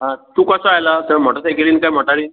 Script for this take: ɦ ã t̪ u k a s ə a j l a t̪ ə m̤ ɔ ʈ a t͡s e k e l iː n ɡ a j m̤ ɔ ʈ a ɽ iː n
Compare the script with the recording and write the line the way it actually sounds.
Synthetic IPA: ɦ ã t̪ u k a s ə a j l a t̪ ə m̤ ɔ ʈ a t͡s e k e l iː n k a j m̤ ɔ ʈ a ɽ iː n